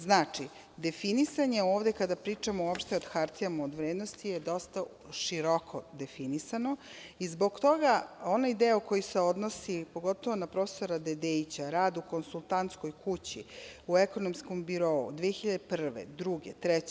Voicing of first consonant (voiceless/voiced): voiced